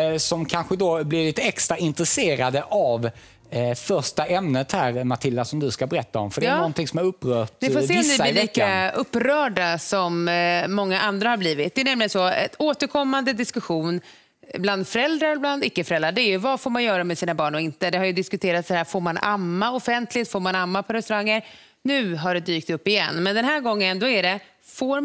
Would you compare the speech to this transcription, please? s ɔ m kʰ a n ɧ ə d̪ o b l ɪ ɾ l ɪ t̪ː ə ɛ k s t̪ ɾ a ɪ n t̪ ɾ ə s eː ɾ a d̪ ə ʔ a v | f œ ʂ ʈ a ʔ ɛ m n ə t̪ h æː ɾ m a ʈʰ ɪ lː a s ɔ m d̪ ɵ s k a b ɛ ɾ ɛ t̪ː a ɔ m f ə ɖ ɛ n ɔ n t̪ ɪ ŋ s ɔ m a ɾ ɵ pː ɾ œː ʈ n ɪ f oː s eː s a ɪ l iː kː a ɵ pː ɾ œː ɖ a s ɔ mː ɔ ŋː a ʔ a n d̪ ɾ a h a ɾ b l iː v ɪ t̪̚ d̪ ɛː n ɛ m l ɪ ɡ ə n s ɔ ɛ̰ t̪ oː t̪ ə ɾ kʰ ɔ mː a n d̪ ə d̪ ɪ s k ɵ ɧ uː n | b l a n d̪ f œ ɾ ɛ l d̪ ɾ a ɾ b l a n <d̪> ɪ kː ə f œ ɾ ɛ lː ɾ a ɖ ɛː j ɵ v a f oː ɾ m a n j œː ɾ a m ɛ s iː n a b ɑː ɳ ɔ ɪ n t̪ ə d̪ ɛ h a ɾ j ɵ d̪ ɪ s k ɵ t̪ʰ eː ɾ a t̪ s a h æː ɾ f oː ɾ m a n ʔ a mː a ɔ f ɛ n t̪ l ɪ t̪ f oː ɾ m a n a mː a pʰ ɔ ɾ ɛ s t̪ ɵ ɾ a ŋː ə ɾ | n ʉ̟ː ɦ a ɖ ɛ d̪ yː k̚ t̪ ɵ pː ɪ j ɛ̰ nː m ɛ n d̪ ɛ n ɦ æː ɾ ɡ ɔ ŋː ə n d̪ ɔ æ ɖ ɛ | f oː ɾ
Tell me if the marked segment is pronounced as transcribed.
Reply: yes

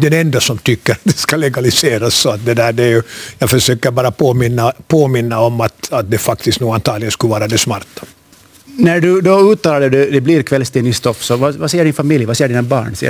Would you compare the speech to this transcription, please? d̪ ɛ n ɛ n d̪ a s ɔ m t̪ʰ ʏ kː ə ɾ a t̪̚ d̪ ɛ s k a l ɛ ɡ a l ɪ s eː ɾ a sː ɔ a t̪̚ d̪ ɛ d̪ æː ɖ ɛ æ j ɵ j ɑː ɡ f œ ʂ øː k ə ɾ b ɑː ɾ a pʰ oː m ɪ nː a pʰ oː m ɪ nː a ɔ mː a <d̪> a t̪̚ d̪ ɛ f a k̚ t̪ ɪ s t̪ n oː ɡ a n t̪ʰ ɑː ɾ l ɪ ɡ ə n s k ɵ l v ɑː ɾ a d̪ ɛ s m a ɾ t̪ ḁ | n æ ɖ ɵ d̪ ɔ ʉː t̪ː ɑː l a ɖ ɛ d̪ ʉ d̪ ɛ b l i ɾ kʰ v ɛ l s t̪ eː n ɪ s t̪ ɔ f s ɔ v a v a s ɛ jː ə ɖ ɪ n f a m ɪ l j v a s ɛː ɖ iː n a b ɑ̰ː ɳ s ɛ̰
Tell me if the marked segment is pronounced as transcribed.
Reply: no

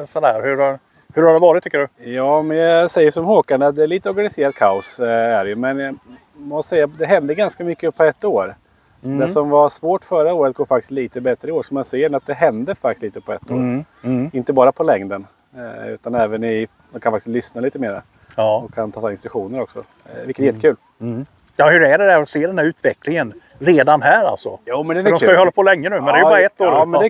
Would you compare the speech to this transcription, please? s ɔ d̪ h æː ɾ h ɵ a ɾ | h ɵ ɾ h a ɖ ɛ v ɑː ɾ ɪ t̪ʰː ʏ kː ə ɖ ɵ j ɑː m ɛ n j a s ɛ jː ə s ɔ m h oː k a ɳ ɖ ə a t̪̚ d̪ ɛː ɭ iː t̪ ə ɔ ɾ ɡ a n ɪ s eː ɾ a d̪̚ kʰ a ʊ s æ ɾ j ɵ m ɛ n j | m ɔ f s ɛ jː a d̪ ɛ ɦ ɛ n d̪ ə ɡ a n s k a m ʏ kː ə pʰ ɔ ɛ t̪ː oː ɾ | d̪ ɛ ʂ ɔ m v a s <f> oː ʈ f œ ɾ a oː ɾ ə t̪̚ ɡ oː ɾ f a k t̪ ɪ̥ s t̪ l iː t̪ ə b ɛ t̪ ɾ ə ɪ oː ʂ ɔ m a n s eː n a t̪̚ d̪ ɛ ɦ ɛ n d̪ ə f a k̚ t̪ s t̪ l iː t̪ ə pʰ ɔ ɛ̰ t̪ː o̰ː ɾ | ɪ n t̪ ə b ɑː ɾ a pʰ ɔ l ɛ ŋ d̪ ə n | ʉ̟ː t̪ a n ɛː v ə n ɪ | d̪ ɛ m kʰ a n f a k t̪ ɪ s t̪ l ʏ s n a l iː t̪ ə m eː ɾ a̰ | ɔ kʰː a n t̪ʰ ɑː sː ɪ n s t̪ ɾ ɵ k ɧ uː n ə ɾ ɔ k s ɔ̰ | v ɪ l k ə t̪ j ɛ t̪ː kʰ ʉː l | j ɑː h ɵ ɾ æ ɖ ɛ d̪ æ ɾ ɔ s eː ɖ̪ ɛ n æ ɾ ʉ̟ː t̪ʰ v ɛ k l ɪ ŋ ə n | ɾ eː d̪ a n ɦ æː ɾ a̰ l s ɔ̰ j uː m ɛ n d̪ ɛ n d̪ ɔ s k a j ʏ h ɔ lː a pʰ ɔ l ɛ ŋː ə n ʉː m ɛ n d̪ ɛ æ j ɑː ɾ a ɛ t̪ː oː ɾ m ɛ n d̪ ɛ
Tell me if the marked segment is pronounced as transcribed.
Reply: no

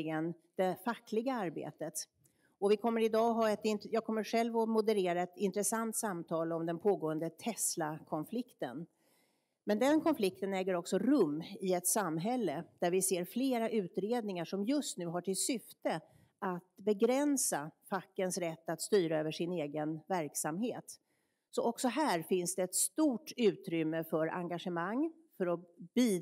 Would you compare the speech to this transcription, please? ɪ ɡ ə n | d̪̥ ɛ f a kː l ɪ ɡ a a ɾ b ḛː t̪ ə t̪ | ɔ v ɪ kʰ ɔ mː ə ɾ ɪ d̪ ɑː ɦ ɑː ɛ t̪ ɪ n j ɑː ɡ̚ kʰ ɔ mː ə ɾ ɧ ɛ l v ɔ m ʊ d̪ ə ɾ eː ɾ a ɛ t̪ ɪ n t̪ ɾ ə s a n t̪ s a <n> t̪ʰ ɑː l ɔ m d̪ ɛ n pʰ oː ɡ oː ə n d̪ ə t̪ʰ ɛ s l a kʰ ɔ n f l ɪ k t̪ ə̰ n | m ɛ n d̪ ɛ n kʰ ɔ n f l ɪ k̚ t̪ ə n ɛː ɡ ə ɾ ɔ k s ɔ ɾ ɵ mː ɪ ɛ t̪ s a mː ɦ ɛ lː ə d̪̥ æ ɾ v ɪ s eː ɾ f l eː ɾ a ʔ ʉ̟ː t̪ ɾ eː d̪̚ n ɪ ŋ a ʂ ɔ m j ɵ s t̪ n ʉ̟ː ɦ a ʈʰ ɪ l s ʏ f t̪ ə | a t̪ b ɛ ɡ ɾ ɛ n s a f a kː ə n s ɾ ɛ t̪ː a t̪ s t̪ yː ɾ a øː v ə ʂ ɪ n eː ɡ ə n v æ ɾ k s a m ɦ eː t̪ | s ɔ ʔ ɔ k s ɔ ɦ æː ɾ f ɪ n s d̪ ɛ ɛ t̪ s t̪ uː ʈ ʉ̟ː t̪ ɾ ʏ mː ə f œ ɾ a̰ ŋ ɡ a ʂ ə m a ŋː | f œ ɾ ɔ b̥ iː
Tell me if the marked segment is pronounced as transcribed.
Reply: no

